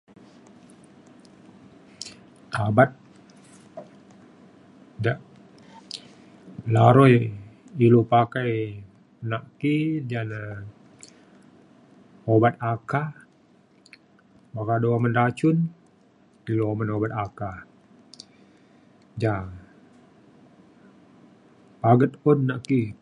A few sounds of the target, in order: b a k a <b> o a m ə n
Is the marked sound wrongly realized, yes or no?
yes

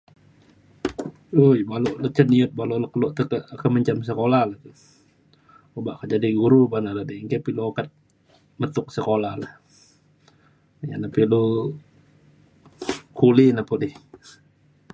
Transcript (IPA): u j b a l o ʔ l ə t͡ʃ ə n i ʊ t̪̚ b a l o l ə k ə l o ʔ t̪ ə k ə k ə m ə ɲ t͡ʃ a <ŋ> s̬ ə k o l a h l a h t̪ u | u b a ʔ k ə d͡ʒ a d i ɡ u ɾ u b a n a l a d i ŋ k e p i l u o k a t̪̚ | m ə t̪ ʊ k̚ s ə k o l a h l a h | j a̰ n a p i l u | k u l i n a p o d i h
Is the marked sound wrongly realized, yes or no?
yes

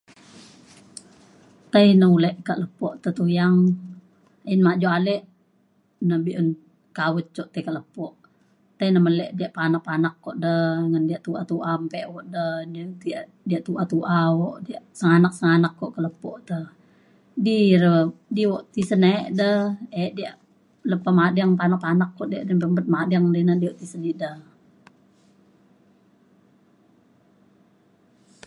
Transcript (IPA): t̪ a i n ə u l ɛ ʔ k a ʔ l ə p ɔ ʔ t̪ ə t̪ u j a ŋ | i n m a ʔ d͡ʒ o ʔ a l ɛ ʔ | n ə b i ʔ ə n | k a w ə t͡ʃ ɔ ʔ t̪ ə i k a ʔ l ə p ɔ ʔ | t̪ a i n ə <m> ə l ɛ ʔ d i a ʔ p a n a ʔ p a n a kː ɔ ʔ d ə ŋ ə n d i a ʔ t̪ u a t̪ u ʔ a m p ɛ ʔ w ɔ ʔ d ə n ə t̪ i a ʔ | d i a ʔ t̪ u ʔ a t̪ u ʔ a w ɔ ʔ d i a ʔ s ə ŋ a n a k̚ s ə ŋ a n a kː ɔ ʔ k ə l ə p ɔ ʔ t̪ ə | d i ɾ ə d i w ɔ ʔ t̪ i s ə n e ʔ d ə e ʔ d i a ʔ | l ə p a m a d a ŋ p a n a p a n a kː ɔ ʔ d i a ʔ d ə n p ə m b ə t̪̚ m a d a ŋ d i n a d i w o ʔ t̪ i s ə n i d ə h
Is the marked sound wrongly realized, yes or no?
no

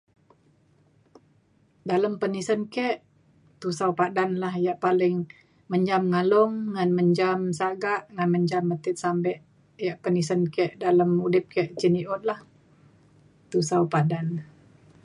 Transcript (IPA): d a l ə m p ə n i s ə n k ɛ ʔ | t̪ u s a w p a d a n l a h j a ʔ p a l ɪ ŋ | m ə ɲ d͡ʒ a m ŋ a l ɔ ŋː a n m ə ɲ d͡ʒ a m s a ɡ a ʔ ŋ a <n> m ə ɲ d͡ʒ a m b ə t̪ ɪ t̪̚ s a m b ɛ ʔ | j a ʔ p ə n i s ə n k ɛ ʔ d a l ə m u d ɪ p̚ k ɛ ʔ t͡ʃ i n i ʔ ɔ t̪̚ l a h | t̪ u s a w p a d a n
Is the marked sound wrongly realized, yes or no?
no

